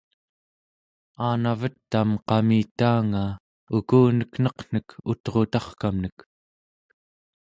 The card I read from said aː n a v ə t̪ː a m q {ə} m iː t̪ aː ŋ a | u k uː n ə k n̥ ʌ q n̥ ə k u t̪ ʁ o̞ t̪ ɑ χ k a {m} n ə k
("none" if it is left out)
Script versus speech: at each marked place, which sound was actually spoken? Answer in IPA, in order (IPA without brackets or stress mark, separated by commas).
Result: ɑ, m